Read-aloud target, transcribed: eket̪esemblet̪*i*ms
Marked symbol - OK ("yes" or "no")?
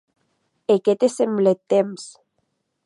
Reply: no